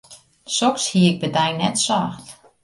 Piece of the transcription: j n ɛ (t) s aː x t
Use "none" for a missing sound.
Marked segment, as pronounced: t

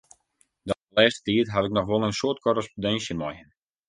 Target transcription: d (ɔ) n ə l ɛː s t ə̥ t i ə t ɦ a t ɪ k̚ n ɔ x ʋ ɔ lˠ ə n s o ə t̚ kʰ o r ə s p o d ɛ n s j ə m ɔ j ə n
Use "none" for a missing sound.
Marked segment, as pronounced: ɔ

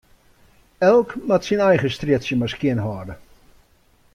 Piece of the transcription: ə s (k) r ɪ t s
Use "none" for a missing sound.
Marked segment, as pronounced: t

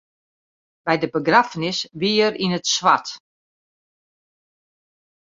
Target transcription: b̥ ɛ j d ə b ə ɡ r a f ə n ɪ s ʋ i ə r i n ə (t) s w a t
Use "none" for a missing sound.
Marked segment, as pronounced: t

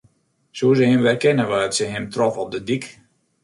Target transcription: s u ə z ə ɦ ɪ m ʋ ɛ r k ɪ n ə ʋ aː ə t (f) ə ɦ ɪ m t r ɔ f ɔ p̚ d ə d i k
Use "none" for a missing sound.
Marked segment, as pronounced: s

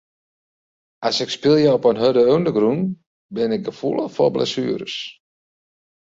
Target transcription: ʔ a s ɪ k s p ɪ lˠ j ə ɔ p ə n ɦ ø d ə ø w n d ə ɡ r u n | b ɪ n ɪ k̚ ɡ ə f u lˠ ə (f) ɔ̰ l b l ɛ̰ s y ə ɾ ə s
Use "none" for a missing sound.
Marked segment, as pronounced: f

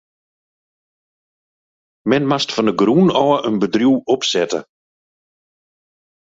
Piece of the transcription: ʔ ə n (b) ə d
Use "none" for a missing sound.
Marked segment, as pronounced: b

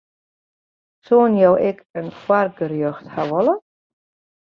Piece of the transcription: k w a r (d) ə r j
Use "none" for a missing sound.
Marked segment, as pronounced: ɡ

